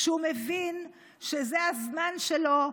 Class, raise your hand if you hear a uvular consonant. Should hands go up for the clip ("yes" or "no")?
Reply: no